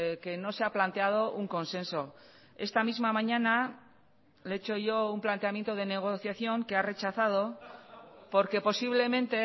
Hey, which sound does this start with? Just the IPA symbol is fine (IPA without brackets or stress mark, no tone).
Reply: k